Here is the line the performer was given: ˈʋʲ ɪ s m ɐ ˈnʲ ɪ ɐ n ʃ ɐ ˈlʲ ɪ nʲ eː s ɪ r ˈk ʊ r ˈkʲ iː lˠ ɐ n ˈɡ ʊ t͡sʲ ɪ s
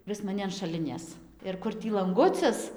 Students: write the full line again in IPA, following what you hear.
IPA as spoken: ˈʋʲ ɪ s m ɐ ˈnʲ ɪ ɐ n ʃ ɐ ˈlʲ ɪ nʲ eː s ɪ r ˈk ʊ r ˈtʲ iː lˠ ɐ ŋ ˈɡ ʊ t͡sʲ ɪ s